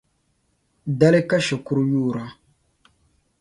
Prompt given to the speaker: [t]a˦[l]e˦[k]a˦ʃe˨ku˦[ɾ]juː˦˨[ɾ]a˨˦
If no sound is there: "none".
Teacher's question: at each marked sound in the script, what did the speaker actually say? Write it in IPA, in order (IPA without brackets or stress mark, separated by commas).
d, l, k, ɾ, ɾ